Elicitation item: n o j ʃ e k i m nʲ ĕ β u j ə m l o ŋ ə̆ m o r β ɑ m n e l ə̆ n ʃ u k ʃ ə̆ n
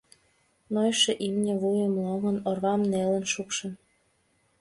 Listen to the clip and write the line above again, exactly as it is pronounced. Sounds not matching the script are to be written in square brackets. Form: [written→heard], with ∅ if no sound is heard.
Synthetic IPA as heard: n o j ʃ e [k→ʔ] i m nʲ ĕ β u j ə m l o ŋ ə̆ [m→n] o r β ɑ m n e l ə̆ n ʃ u k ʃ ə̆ n